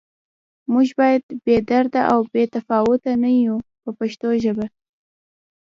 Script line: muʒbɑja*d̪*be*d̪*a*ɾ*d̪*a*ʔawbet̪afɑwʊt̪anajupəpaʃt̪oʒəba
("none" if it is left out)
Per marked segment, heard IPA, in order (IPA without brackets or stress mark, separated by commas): d̪, d̪, ɾ, a